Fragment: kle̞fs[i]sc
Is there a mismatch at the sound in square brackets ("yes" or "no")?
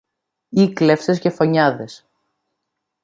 yes